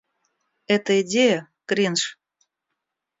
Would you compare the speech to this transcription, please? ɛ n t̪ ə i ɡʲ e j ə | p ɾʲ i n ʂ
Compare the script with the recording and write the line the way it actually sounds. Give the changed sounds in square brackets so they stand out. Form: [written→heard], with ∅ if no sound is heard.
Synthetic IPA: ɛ [n→∅] t̪ ə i [ɡʲ→dʲ] e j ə | [p→k] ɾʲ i n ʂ